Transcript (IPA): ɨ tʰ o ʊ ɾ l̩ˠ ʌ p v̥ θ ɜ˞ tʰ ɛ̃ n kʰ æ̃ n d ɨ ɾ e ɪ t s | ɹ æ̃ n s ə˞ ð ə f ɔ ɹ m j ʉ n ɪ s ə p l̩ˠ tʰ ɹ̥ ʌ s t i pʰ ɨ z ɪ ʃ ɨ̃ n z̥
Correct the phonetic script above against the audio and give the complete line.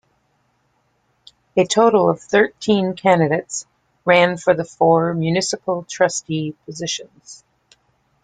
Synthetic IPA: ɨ tʰ o ʊ ɾ l̩ˠ ʌ v̥ θ ɜ˞ tʰ ĩ n kʰ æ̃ n d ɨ ɾ e ɪ t s | ɹ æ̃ n f ə˞ ð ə f ɔ ɹ m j ʉ n ɪ s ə p l̩ˠ tʰ ɹ̥ ʌ s t i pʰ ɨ z ɪ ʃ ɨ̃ n z̥